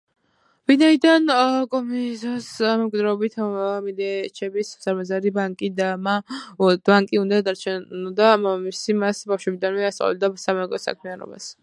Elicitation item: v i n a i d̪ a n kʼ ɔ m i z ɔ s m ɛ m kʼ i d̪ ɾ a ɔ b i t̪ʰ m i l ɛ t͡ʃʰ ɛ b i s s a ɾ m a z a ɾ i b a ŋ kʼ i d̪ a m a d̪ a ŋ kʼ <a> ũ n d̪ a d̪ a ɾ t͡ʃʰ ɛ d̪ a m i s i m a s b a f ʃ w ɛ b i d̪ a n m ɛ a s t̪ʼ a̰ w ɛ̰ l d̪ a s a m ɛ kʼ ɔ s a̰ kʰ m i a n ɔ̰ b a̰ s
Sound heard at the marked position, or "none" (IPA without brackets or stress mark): i